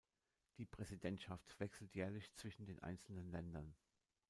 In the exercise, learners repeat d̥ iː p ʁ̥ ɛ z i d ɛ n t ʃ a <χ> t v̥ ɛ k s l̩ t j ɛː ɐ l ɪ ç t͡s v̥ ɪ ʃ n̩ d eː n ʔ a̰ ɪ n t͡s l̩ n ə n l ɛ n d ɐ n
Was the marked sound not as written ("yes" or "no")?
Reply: yes